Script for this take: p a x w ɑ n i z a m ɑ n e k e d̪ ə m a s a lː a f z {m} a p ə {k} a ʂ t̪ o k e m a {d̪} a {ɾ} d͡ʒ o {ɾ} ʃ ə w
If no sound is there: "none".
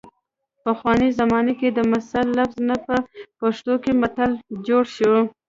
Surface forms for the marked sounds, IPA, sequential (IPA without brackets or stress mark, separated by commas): n, p, t̪, l, ɽ